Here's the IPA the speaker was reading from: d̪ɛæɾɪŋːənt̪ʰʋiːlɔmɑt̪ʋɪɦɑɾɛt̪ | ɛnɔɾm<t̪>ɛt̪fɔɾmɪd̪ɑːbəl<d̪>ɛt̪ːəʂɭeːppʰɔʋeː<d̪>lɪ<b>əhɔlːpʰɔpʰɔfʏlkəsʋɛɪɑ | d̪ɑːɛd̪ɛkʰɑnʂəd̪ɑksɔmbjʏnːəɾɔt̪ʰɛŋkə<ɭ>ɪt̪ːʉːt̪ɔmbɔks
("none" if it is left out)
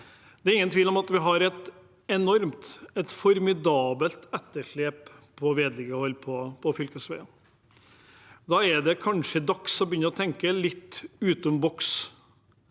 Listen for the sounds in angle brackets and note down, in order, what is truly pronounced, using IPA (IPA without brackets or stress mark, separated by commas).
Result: t̪, t̪, d̪, ɡ, l